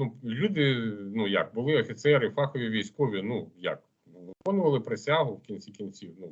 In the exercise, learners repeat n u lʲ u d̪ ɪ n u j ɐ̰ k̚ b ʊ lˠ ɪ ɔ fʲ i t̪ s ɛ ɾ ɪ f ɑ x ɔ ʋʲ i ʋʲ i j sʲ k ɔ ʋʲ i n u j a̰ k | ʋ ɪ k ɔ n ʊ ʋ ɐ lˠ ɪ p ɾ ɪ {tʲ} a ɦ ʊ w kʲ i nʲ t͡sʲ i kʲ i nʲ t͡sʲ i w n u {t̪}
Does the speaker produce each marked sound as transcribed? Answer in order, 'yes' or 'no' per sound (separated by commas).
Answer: no, no